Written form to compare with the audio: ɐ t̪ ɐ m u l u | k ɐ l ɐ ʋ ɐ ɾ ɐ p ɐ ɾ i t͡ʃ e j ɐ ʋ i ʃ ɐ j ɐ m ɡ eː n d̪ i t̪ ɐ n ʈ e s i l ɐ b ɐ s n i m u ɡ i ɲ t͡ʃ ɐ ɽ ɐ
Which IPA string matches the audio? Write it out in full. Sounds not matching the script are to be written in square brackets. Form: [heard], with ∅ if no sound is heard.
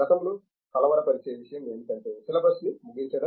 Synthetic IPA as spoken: ɐ t̪ ɐ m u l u | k ɐ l ɐ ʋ ɐ ɾ ɐ p ɐ ɾ i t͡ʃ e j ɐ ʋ i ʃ ɐ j ɐ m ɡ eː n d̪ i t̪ ɐ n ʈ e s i l ɐ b ɐ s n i m u ɡ i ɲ t͡ʃ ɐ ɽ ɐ